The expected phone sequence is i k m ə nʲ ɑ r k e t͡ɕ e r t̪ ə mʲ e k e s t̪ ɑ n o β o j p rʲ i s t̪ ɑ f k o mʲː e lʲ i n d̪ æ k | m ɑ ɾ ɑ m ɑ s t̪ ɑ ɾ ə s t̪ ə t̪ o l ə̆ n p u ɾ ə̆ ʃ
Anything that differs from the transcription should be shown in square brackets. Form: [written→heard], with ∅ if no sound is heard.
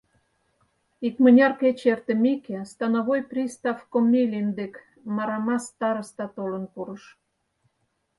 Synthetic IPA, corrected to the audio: i k m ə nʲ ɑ r k e t͡ɕ e r t̪ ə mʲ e k e s t̪ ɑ n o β o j p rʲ i s t̪ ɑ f k o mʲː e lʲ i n d̪ [æ→e] k | m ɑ ɾ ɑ m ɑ s t̪ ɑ ɾ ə s t̪ [ə→ɑ] t̪ o l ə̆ n p u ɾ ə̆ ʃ